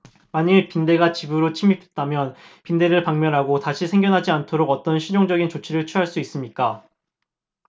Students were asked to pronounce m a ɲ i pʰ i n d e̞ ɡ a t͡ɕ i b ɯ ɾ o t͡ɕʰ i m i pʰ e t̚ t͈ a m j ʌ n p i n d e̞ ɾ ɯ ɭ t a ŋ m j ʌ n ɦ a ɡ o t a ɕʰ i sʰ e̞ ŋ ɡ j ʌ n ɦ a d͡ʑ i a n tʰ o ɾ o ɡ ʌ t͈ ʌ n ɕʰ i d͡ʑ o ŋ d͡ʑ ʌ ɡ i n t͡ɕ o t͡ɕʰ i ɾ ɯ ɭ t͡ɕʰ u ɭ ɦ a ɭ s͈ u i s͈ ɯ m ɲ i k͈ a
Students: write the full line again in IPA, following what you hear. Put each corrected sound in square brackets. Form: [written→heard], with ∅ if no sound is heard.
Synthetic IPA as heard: m a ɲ i [pʰ→p] i n d e̞ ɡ a t͡ɕ i b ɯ ɾ o t͡ɕʰ i m i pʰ e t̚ t͈ a m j ʌ n p i n d e̞ ɾ ɯ ɭ [t→p] a ŋ m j ʌ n ɦ a ɡ o t a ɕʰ i sʰ e̞ ŋ ɡ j ʌ n ɦ a d͡ʑ i a n tʰ o ɾ o ɡ ʌ t͈ ʌ n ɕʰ i d͡ʑ o ŋ d͡ʑ ʌ ɡ i n t͡ɕ o t͡ɕʰ i ɾ ɯ ɭ t͡ɕʰ u [ɭ→∅] ɦ a ɭ s͈ u i s͈ ɯ m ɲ i k͈ a

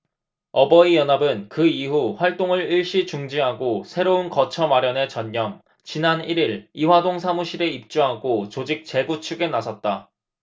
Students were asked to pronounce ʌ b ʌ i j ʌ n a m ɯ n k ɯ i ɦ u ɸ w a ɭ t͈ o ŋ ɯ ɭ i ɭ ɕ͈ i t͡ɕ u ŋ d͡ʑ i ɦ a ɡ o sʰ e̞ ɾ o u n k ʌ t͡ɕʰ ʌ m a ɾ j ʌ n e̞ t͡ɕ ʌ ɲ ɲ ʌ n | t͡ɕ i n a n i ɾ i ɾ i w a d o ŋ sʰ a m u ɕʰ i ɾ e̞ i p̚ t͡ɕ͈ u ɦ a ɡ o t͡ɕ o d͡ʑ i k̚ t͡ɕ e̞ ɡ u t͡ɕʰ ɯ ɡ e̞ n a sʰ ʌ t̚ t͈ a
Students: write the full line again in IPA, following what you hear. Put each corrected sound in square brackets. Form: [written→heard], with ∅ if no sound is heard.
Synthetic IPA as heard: ʌ b ʌ i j ʌ n a [m→b] ɯ n k ɯ i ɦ u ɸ w a ɭ t͈ o ŋ ɯ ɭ i ɭ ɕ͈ i t͡ɕ u ŋ d͡ʑ i ɦ a ɡ o sʰ e̞ ɾ o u n k ʌ t͡ɕʰ ʌ m a ɾ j ʌ n e̞ t͡ɕ ʌ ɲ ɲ ʌ [n→m] | t͡ɕ i n a n i ɾ i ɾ i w a d o ŋ sʰ a m u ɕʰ i ɾ e̞ i p̚ t͡ɕ͈ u ɦ a ɡ o t͡ɕ o d͡ʑ i k̚ t͡ɕ e̞ ɡ u t͡ɕʰ [ɯ→u] ɡ e̞ n a sʰ ʌ t̚ t͈ a

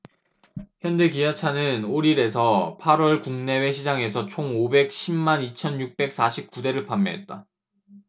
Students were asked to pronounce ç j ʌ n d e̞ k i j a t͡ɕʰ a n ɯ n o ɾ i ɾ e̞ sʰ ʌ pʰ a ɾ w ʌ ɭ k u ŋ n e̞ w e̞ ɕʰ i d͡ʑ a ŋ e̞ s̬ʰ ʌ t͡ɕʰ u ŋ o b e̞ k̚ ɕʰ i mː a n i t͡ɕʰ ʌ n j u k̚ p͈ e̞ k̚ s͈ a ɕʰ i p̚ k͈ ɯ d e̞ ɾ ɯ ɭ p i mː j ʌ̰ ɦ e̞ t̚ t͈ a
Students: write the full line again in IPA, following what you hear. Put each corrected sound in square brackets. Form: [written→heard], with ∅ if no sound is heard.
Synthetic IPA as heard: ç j ʌ n d e̞ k i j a t͡ɕʰ a n ɯ n o ɾ i ɾ e̞ sʰ ʌ pʰ a ɾ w ʌ ɭ k u ŋ n e̞ w e̞ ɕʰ i d͡ʑ a ŋ e̞ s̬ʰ ʌ t͡ɕʰ [u→o] ŋ o b e̞ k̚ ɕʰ i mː a n i t͡ɕʰ ʌ n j u k̚ p͈ e̞ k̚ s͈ a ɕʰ i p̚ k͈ [ɯ→u] d e̞ ɾ ɯ ɭ p [i→a] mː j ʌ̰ ɦ e̞ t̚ t͈ a

